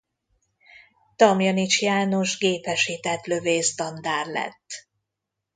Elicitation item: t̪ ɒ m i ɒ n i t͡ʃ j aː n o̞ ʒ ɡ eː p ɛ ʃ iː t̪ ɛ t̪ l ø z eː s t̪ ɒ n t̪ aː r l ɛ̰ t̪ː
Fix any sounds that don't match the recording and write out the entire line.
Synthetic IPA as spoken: t̪ ɒ m j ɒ n i t͡ʃ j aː n o̞ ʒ ɡ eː p ɛ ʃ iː t̪ ɛ t̪ l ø v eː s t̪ ɒ n d̪ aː r l ɛ̰ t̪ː